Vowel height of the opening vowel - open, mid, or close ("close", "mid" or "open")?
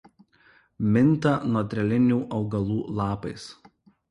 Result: close